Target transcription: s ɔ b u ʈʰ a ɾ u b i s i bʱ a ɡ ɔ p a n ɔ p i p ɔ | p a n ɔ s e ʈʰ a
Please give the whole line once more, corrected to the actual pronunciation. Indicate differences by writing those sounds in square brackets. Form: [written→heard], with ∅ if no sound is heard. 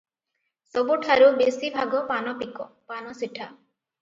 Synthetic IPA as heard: s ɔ b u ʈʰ a ɾ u b [i→e] s i bʱ a ɡ ɔ p a n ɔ p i [p→k] ɔ | p a n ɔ s [e→i] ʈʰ a

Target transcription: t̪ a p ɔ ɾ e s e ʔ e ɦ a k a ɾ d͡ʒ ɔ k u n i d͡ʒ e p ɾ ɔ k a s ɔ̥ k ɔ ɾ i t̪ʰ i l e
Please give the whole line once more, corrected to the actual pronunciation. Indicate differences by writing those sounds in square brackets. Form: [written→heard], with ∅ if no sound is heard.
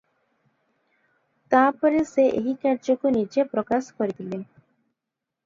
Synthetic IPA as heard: t̪ a p ɔ ɾ e s e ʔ e ɦ [a→i] k a ɾ d͡ʒ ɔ k u n i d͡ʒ e p ɾ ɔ k a s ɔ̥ k ɔ ɾ i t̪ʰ i l e

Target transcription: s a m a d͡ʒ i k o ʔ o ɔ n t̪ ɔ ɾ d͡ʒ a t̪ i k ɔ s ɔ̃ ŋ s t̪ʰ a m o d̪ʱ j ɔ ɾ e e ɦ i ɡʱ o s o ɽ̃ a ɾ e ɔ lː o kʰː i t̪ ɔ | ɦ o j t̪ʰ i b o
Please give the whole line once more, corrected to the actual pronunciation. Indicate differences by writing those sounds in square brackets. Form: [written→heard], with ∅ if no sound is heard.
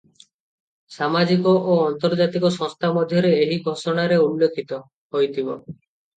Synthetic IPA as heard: s a m a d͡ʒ i k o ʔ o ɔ n t̪ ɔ ɾ d͡ʒ a t̪ i k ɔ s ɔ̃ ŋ s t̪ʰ a m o d̪ʱ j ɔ ɾ e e ɦ i ɡʱ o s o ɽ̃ a ɾ e [ɔ→u] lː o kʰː i t̪ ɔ | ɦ o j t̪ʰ i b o

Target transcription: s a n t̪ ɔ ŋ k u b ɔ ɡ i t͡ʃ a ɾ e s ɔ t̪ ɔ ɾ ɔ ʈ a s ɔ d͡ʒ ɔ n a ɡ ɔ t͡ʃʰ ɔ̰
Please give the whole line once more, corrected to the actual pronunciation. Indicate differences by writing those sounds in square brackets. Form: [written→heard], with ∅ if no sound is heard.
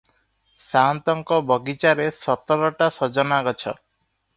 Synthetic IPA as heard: s a n t̪ ɔ ŋ k [u→ɔ] b ɔ ɡ i t͡ʃ a ɾ e s ɔ t̪ ɔ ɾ ɔ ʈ a s ɔ d͡ʒ ɔ n a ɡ ɔ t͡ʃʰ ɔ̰

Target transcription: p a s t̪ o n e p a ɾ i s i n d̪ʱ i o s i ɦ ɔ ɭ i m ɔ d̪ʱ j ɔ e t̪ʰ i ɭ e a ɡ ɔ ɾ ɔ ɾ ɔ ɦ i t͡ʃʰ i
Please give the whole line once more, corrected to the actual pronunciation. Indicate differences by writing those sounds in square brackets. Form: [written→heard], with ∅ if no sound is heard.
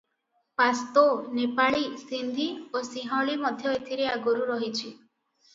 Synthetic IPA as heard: p a s t̪ o n e p a [ɾ→ɭ] i s i n d̪ʱ i o s i ɦ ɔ ɭ i m ɔ d̪ʱ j ɔ e t̪ʰ i [ɭ→ɾ] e a ɡ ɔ ɾ [ɔ→u] ɾ ɔ ɦ i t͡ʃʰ i

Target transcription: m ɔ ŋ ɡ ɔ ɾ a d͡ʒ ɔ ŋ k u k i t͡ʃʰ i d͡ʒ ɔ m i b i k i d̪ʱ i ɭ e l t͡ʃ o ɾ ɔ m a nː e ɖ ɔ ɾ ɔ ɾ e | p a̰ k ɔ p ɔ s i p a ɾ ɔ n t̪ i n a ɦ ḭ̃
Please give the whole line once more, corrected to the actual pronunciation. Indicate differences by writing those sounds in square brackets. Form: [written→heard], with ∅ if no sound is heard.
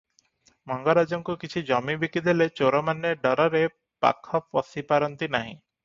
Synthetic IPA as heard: m ɔ ŋ ɡ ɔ ɾ a d͡ʒ ɔ ŋ k u k i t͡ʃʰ i d͡ʒ ɔ m i b i k i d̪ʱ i [ɭ→l] e [l→∅] t͡ʃ o ɾ ɔ m a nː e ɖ ɔ ɾ ɔ ɾ e | p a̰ [k→kʰ] ɔ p ɔ s i p a ɾ ɔ n t̪ i n a ɦ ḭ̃

